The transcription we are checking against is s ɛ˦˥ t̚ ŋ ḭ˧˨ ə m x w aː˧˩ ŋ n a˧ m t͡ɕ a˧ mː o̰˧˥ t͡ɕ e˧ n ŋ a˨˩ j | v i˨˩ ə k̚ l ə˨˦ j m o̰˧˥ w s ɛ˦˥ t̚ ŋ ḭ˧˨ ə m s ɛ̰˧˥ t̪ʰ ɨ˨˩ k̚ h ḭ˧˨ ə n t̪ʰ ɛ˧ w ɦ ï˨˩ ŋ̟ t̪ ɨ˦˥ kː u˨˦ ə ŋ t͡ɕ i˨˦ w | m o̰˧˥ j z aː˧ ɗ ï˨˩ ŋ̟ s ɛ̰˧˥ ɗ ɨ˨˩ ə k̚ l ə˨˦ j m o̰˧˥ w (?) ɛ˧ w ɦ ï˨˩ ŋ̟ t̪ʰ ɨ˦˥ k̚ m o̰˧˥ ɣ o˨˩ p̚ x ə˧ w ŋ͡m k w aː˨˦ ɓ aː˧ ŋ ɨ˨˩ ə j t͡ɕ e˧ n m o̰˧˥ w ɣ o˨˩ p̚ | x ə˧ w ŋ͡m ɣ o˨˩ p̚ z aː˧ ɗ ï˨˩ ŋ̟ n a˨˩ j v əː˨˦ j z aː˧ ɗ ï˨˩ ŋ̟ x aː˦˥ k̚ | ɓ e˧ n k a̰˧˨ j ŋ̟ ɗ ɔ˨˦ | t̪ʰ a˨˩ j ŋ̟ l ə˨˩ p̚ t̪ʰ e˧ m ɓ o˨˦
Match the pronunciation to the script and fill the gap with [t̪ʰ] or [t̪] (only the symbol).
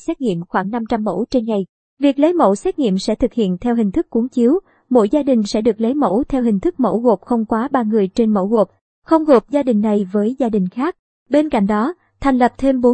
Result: t̪ʰ